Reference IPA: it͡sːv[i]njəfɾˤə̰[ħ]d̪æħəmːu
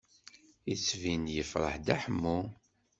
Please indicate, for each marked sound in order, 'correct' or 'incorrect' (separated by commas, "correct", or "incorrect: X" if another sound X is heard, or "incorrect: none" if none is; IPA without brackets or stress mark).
correct, correct